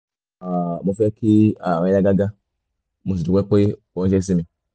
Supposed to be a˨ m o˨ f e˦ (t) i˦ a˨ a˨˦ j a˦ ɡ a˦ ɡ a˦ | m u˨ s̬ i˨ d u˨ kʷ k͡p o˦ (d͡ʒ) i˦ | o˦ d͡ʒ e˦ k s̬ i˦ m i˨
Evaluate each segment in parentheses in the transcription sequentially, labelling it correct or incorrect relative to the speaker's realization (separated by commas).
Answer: incorrect, incorrect